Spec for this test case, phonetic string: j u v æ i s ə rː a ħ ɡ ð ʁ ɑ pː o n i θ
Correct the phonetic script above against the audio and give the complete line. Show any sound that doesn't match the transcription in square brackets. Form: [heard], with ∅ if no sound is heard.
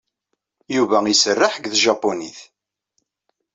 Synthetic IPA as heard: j u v æ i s ə rː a ħ ɡ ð [ʒ] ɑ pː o n i θ